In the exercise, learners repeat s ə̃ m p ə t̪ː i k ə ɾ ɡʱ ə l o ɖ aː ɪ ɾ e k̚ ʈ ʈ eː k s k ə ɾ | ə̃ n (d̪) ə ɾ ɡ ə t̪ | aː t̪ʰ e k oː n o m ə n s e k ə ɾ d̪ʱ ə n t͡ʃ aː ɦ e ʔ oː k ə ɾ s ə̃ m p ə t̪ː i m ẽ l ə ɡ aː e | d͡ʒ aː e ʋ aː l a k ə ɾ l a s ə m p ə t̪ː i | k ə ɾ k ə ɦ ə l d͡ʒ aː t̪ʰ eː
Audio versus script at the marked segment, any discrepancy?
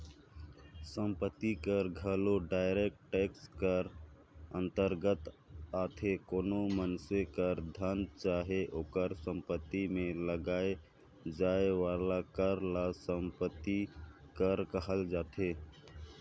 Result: yes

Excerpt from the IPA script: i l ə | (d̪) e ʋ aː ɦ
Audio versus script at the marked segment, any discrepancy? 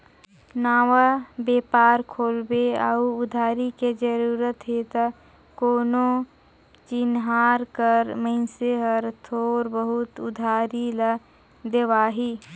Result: no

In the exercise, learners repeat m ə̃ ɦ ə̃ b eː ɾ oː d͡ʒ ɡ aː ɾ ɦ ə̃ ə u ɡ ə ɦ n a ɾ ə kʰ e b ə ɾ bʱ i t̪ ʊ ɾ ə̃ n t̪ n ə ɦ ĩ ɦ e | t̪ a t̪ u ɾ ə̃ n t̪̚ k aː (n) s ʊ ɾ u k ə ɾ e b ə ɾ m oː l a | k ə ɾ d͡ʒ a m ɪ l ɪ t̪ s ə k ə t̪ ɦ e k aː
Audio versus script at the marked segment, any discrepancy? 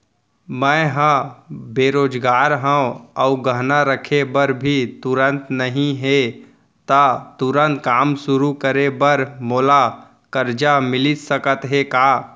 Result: yes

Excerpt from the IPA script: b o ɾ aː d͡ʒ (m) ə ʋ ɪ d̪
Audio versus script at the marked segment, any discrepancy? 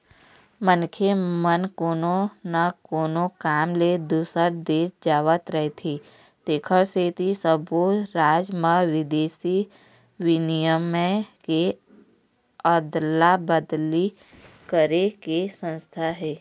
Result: no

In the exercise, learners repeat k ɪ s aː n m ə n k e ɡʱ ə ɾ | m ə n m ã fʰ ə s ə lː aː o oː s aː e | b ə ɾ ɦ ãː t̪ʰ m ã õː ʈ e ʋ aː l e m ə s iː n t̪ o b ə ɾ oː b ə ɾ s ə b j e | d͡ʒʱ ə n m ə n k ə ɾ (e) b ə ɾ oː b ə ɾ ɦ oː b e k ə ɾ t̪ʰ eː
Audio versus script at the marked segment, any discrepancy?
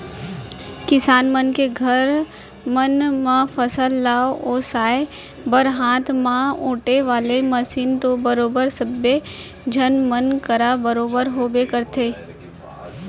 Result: yes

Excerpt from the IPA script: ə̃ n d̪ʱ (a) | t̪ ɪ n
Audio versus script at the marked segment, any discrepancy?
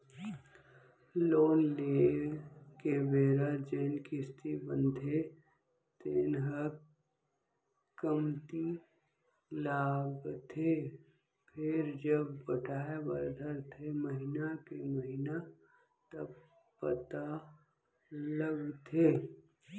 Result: yes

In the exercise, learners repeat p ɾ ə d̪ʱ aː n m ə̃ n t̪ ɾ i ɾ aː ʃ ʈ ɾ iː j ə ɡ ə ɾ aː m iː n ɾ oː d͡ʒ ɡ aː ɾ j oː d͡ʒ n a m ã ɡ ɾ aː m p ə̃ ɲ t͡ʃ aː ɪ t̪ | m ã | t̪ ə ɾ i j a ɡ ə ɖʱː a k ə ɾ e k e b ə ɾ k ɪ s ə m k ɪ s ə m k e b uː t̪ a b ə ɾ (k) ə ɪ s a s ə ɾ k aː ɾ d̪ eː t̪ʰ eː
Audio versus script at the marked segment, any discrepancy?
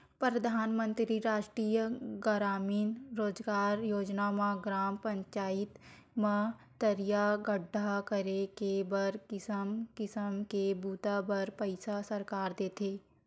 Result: yes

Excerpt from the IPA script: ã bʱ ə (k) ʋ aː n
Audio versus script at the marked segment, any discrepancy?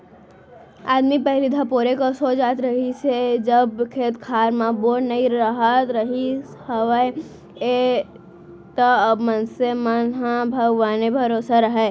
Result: yes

